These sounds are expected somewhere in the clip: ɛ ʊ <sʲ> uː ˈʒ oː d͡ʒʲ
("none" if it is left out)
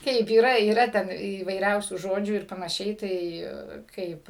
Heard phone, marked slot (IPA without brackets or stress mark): sʲ